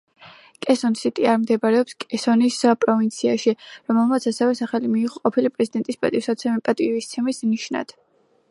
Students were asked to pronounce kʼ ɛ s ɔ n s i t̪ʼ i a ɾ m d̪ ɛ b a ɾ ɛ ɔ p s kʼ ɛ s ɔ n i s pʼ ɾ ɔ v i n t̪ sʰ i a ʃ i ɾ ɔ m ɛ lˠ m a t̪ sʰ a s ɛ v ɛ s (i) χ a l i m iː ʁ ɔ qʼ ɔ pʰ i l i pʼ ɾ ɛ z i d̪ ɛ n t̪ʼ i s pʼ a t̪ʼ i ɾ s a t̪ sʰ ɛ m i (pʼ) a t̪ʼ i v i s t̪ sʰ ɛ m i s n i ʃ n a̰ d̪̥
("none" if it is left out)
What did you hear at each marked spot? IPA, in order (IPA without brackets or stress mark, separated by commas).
a, pʼ